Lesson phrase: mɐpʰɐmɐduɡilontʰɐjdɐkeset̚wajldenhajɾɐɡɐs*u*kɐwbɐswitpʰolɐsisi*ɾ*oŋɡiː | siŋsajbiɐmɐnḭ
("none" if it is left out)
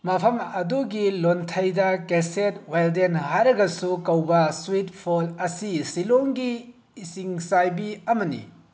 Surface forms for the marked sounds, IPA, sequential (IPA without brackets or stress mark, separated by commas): u, l